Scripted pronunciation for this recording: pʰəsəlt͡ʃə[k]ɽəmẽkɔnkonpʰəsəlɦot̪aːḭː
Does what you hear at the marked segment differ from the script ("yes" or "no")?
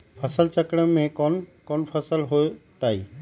no